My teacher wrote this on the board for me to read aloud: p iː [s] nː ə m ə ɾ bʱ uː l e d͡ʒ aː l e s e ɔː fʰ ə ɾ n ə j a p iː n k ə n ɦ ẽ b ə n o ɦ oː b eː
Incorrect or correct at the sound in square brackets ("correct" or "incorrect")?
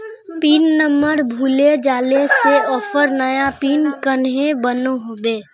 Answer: incorrect